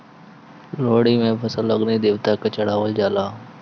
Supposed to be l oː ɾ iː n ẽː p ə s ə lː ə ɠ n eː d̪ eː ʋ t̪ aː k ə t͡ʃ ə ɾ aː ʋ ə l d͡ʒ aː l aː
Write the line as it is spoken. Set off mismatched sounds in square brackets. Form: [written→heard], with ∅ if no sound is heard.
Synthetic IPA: l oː [ɾ→ɽ] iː [n→m] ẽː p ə s ə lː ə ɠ n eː d̪ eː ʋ t̪ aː k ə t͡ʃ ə [ɾ→ɽ] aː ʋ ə l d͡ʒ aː l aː